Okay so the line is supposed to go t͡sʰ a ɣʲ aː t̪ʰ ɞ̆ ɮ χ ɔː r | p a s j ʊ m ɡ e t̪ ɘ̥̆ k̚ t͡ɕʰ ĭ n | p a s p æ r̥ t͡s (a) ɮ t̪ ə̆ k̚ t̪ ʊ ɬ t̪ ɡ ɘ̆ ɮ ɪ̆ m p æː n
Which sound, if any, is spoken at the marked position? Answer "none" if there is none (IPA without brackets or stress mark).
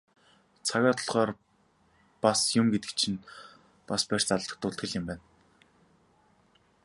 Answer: a